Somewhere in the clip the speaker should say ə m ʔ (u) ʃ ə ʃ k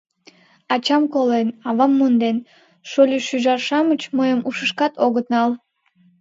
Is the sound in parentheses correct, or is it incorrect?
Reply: correct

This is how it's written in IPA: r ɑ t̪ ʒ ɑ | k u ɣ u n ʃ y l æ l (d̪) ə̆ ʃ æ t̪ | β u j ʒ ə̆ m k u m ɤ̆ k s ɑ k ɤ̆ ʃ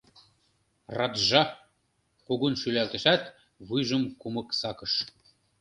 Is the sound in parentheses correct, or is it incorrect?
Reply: incorrect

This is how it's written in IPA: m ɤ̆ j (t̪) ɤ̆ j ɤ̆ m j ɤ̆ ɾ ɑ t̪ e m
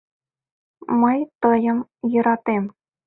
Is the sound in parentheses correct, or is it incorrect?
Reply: correct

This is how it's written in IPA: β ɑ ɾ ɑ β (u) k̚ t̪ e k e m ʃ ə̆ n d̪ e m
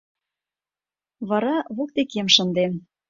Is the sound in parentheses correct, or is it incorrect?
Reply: incorrect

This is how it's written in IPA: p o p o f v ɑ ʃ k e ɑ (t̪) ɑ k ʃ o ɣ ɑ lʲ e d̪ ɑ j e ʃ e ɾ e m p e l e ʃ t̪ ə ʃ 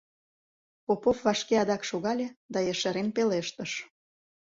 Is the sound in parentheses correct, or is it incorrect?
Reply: incorrect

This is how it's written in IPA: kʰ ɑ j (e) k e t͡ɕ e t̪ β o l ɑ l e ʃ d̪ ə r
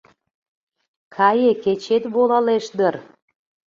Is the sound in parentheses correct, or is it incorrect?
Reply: correct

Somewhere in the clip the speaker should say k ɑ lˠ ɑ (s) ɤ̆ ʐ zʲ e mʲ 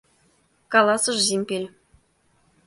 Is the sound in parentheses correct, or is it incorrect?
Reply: correct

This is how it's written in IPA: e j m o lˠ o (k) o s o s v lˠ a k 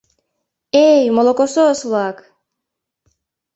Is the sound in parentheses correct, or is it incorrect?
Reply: correct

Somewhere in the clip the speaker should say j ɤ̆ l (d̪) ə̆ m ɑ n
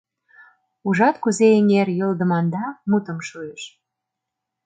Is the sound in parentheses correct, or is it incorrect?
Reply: correct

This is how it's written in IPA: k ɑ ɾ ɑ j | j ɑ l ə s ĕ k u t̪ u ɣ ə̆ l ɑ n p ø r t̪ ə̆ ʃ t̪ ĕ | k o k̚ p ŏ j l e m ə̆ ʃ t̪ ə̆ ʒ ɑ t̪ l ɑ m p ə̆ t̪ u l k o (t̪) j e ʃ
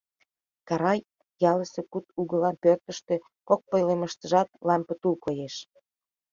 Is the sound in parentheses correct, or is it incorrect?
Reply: incorrect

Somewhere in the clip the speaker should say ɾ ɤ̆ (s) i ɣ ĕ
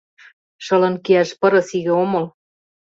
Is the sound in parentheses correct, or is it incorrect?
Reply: correct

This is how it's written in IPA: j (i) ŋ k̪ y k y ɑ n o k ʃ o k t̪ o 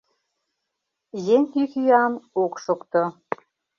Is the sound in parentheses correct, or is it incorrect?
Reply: incorrect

